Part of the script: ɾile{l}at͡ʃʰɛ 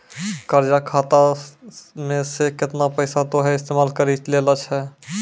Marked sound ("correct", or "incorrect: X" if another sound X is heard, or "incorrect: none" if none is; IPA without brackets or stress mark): correct